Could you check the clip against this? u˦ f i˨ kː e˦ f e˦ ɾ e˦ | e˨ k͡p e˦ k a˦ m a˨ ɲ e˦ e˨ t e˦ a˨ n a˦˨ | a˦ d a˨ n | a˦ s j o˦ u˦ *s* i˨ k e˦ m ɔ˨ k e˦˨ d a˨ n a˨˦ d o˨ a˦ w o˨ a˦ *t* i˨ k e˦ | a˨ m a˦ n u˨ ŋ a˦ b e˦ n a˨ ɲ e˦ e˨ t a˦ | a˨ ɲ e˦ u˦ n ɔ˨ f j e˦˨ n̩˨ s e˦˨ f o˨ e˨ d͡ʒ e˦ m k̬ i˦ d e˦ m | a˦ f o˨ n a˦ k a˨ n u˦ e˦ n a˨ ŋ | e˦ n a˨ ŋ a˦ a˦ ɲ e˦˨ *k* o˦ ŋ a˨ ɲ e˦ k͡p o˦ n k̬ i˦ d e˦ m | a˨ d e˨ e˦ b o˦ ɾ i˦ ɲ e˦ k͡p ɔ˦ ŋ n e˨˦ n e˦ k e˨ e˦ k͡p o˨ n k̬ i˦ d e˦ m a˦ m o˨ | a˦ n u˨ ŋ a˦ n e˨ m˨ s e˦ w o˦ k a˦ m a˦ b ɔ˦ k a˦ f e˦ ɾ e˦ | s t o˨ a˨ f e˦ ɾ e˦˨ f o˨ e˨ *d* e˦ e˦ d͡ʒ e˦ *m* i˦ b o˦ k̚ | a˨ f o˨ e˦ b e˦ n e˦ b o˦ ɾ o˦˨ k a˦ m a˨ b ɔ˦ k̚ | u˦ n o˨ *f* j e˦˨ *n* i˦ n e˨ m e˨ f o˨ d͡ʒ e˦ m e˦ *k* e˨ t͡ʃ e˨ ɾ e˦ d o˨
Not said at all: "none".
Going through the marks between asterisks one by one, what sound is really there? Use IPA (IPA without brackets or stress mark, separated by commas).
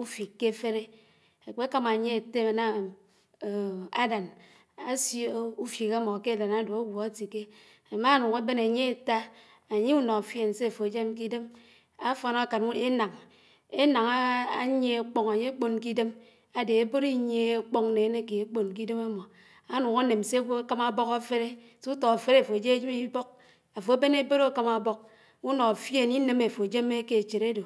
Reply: f, t, k͡p, d͡ʒ, m, f, n, k